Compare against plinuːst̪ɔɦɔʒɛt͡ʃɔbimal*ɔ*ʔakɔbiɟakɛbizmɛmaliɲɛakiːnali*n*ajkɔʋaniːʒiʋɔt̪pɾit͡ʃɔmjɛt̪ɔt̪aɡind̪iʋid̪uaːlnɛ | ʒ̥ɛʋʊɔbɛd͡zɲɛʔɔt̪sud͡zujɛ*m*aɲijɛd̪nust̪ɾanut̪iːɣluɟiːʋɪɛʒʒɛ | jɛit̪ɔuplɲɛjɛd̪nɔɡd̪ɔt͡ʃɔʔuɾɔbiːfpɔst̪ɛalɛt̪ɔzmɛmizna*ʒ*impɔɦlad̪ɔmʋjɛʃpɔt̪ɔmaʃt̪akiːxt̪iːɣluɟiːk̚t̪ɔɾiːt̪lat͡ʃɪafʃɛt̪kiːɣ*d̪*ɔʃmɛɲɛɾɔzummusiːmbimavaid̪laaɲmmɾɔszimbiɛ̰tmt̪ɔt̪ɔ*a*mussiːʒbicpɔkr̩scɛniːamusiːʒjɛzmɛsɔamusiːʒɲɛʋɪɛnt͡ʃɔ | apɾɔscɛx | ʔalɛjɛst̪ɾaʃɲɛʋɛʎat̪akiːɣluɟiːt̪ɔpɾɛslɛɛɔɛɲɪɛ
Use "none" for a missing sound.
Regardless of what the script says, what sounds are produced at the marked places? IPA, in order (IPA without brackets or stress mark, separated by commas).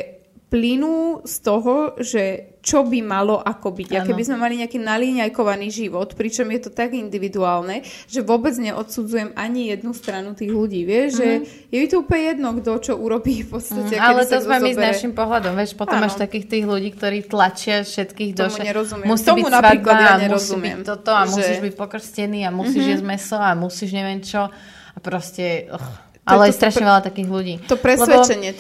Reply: ɔ, ɲ, m, ʃ, d̪, a